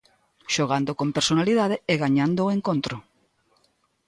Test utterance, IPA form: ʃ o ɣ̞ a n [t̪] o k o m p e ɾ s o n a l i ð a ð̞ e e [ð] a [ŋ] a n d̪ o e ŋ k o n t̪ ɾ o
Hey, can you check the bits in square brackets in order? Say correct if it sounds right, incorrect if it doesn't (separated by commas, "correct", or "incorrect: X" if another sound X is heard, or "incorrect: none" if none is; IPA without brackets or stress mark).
incorrect: d̪, incorrect: ɣ, incorrect: ɲ